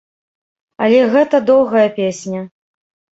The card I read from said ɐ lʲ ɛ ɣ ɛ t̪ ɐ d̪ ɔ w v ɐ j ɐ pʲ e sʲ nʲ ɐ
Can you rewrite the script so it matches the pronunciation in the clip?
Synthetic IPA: ɐ lʲ ɛ ɣ ɛ t̪ ɐ d̪ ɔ w ɣ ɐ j ɐ pʲ e sʲ nʲ ɐ

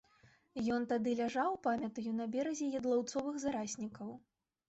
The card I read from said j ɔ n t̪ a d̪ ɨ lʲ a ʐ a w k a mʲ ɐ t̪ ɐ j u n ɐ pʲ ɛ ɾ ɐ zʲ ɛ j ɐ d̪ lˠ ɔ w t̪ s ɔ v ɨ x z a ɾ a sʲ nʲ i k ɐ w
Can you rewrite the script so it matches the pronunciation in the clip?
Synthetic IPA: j ɔ n t̪ a d̪ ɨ lʲ a ʐ a w p a mʲ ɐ t̪ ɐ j u n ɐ bʲ ɛ ɾ ɐ zʲ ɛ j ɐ d̪ lˠ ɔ w t̪ s ɔ v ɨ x z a ɾ a sʲ nʲ i k ɐ w

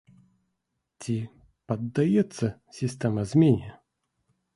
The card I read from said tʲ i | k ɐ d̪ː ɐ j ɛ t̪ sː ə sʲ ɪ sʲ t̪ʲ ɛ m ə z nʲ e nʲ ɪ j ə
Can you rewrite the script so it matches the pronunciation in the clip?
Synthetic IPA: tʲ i | p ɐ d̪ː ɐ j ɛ t̪ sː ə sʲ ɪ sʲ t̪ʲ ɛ m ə z mʲ e nʲ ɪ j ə

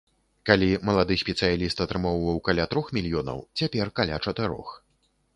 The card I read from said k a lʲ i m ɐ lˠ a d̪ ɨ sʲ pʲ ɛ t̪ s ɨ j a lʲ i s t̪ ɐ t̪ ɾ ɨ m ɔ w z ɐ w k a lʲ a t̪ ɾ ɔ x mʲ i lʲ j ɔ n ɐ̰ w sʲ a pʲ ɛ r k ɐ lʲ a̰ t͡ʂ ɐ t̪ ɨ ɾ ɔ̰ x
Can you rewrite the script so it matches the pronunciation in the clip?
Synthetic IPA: k a lʲ i m ɐ lˠ a d̪ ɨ sʲ pʲ ɛ t̪ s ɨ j a lʲ i s t̪ ɐ t̪ ɾ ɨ m ɔ w v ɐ w k a lʲ a t̪ ɾ ɔ x mʲ i lʲ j ɔ n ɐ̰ w t͡sʲ a pʲ ɛ r k a lʲ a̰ t͡ʂ ɐ t̪ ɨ ɾ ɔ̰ x

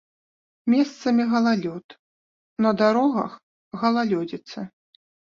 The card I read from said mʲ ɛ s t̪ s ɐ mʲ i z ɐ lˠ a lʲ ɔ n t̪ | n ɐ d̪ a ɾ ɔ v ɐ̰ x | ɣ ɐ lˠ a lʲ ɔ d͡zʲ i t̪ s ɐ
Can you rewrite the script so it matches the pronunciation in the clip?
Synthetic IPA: mʲ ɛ s t̪ s ɐ mʲ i ɣ ɐ lˠ a lʲ ɔ t̪ | n ɐ d̪ a ɾ ɔ ɣ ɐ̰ x | ɣ ɐ lˠ a lʲ ɔ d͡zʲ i t̪ s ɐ

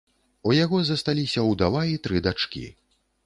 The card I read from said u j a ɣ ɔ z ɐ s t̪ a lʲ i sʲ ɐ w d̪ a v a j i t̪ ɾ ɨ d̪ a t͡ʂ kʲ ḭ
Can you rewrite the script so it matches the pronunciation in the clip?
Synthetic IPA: u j a ɣ ɔ z ɐ s t̪ a lʲ i sʲ ɐ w d̪ a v a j i t̪ ɾ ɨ d̪ a t͡ʂ kʲ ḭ

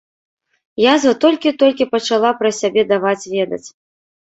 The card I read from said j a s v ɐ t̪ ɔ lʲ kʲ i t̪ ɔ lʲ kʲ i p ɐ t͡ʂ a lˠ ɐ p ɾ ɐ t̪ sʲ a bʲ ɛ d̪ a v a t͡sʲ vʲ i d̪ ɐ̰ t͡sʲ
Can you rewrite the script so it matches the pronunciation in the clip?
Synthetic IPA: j a z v ɐ t̪ ɔ lʲ kʲ i t̪ ɔ lʲ kʲ i p ɐ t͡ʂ a lˠ a p ɾ ɐ sʲ a bʲ ɛ d̪ a v a t͡sʲ vʲ ɛ d̪ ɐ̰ t͡sʲ

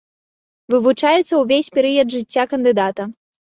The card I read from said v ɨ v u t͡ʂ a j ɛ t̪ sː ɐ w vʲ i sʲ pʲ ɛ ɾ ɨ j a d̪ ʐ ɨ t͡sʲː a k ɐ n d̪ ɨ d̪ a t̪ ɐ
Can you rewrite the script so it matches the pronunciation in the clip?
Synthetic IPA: v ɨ v u t͡ʂ a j ɛ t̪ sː ɐ w vʲ e sʲ pʲ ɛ ɾ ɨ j ɐ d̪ ʐ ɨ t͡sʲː a k ɐ n d̪ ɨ d̪ a t̪ ɐ

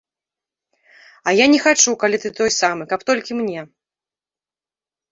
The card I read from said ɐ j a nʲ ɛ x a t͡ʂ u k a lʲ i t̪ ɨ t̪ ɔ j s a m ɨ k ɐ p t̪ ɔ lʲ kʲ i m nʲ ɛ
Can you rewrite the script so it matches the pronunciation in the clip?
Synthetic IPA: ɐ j a nʲ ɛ x a t͡ʂ u k a lʲ i t̪ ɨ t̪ ɔ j s a m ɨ k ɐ p t̪ ɔ lʲ kʲ i m nʲ ɛ

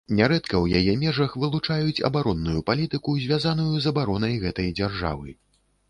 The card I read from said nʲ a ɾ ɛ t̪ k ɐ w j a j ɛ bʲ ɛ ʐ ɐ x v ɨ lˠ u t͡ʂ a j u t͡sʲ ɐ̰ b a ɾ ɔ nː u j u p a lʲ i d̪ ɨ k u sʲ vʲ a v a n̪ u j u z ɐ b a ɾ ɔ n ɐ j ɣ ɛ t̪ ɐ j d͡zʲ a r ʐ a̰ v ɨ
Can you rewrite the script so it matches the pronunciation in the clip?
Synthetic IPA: nʲ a ɾ ɛ t̪ k ɐ w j a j ɛ mʲ ɛ ʐ ɐ x v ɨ lˠ u t͡ʂ a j u t͡sʲ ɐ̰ b a ɾ ɔ nː u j u p a lʲ i t̪ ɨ k u zʲ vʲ a z a n̪ u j u z ɐ b a ɾ ɔ n ɐ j ɣ ɛ t̪ ɐ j d͡zʲ a r ʐ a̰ v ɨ

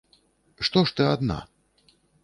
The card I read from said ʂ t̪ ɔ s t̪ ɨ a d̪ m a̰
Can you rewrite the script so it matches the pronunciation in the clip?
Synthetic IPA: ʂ t̪ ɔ ʂ t̪ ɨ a d̪ n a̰

